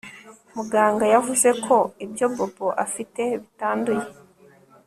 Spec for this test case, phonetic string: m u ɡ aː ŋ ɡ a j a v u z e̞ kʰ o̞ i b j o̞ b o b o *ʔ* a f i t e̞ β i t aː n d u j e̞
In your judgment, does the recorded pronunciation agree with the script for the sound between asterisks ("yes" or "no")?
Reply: yes